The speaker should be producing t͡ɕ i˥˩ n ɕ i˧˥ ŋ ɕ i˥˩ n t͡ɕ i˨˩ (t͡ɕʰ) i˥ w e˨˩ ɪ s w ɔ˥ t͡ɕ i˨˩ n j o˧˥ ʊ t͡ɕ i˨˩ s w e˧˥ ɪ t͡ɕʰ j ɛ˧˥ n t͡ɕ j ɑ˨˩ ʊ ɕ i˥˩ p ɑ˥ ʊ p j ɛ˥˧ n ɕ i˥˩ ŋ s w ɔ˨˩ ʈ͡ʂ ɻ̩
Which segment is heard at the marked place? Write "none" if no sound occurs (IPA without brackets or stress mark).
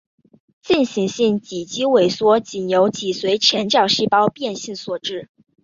t͡ɕ